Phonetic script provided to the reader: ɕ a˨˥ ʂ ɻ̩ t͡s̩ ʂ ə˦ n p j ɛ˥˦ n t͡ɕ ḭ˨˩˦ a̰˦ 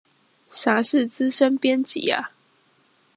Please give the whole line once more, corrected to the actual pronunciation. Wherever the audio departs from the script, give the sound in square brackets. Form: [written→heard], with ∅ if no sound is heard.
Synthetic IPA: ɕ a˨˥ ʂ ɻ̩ t͡s̩ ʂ ə˦ n p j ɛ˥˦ n t͡ɕ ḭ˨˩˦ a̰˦

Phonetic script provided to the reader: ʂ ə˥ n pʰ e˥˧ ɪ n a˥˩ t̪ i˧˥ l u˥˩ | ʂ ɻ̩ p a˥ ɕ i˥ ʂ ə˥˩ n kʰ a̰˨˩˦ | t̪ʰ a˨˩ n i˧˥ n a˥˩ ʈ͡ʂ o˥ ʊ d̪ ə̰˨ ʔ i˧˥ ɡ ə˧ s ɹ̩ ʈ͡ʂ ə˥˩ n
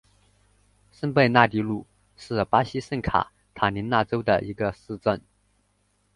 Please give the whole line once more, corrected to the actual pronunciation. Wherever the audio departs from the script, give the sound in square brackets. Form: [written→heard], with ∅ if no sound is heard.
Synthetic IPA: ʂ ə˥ n [pʰ→p] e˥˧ ɪ n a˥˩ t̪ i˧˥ l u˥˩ | ʂ ɻ̩ p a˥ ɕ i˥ ʂ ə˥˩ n kʰ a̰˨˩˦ | t̪ʰ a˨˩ n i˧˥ n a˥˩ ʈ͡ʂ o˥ ʊ d̪ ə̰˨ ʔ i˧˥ ɡ ə˧ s ɹ̩ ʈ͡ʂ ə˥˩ n

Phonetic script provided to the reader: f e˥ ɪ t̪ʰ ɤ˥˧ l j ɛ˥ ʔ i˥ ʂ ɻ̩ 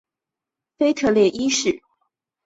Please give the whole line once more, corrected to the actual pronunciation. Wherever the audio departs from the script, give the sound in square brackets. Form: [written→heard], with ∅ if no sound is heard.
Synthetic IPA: f e˥ ɪ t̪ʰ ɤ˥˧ l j [ɛ˥→ɛ˥˩] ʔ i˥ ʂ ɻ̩

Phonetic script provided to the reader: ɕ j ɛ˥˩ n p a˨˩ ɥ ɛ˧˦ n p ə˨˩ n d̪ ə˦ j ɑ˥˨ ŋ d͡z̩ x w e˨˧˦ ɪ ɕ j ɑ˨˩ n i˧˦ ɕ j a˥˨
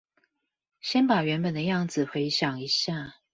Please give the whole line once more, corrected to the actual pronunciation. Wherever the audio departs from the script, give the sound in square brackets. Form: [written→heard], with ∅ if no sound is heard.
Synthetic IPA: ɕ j [ɛ˥˩→ɛ˦] n p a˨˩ ɥ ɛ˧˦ n p ə˨˩ n d̪ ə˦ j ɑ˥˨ ŋ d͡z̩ x w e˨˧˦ ɪ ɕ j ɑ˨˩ [n→ŋ] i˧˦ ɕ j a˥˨

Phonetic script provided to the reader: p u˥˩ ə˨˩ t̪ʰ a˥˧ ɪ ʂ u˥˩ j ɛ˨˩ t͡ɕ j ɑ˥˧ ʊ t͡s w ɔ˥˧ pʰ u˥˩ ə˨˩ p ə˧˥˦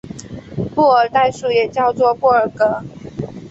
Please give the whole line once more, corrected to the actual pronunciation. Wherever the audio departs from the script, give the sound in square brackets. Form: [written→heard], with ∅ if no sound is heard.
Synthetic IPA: p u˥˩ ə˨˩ [t̪ʰ→t̪] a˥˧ ɪ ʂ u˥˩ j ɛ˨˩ t͡ɕ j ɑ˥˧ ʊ t͡s w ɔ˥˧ [pʰ→p] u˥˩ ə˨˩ [p→k] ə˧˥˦

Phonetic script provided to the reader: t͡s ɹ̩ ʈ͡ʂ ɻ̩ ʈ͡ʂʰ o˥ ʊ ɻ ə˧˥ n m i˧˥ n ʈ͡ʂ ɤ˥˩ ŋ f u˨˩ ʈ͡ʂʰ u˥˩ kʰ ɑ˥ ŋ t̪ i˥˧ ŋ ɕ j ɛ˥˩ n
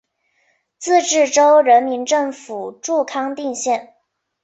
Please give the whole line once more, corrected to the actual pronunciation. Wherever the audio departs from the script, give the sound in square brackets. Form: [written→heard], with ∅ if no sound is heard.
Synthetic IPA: t͡s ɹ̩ ʈ͡ʂ ɻ̩ [ʈ͡ʂʰ→ʈ͡ʂ] o˥ ʊ ɻ ə˧˥ n m i˧˥ n ʈ͡ʂ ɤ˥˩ ŋ f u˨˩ [ʈ͡ʂʰ→ʈ͡ʂ] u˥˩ kʰ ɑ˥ ŋ t̪ i˥˧ ŋ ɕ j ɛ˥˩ n

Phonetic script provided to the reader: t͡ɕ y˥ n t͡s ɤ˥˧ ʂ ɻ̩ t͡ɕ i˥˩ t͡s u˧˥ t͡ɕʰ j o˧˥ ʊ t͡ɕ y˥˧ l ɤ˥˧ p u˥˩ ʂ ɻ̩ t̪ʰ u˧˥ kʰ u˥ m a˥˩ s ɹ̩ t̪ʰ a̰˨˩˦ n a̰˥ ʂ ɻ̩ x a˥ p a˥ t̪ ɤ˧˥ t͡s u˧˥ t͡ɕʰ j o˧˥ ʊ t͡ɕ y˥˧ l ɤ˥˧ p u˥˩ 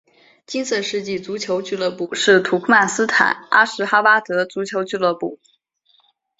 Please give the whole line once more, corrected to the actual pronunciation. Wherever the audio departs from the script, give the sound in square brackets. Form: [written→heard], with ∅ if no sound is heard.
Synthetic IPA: t͡ɕ [y˥→i˥] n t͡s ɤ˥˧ ʂ ɻ̩ t͡ɕ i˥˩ t͡s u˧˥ t͡ɕʰ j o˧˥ ʊ t͡ɕ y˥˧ l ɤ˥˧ p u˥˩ ʂ ɻ̩ t̪ʰ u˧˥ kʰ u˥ m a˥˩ s ɹ̩ t̪ʰ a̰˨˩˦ n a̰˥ ʂ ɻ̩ x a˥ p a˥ t̪ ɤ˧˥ t͡s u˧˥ t͡ɕʰ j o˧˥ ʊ t͡ɕ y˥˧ l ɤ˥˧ p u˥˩

